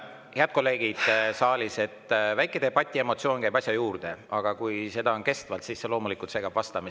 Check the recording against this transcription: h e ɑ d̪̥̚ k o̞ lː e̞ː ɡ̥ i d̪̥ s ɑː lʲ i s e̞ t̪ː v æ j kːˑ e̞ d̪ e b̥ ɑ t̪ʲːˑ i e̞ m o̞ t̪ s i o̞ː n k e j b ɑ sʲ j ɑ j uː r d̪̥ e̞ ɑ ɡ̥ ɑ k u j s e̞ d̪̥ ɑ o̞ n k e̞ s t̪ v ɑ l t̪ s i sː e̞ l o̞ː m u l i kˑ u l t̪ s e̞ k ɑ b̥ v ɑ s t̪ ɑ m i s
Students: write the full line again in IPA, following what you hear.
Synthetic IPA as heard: h e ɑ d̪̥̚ k o̞ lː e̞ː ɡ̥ i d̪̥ s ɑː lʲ i s e̞ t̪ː v æ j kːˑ e̞ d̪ e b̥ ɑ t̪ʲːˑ i e̞ m o̞ t̪ s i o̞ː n k æ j b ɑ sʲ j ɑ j uː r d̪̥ e̞ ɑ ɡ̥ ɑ k u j s e̞ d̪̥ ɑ o̞ n k e̞ s t̪ v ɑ l t̪ s i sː e̞ l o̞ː m u l i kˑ u l t̪ s e̞ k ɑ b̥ v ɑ s t̪ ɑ m i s